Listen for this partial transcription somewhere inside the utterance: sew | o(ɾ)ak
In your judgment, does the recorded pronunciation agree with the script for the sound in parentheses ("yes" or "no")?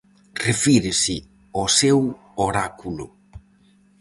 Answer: yes